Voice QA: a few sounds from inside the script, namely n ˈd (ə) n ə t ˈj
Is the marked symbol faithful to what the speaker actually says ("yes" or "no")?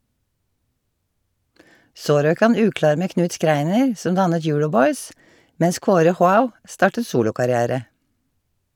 no